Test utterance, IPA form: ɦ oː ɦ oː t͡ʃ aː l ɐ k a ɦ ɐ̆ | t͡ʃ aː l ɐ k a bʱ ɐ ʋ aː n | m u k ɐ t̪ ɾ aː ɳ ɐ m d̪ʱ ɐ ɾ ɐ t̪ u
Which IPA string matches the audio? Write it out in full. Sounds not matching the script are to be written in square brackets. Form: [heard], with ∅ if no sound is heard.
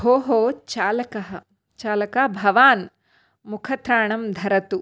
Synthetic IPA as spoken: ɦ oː ɦ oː t͡ʃ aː l ɐ k [ɐ] ɦ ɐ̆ | t͡ʃ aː l ɐ k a bʱ ɐ ʋ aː n | m u [kʰ] ɐ t̪ ɾ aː ɳ ɐ m d̪ʱ ɐ ɾ ɐ t̪ u